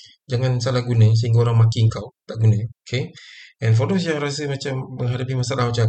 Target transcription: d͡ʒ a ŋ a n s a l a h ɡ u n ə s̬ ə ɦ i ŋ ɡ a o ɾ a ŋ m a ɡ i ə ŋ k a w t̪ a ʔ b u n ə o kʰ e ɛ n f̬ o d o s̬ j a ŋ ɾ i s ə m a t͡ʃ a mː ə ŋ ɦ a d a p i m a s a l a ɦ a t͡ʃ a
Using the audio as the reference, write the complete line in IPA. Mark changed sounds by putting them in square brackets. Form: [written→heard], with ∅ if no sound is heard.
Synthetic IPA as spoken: d͡ʒ a ŋ a n s a l a h ɡ u n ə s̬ ə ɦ i ŋ ɡ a o ɾ a ŋ m a [ɡ→k] i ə ŋ k a w t̪ a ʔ [b→ɡ] u n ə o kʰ e ɛ n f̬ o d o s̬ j a ŋ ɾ [i→a] s ə m a t͡ʃ a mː ə ŋ ɦ a d a p i m a s a l a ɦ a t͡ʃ a